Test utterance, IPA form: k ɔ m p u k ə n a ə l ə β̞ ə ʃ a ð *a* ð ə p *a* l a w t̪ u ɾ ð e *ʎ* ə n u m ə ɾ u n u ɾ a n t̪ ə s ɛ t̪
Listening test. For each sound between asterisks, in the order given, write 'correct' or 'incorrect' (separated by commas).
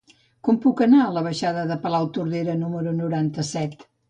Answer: incorrect, incorrect, incorrect